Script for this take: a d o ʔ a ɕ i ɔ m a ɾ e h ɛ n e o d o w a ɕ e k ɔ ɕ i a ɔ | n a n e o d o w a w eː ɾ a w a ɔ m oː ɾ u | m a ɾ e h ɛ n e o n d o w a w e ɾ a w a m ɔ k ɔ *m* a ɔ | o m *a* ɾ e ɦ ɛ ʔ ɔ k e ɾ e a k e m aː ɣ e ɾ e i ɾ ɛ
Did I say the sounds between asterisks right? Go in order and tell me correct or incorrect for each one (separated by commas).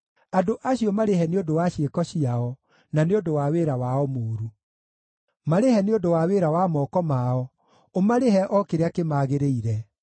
correct, correct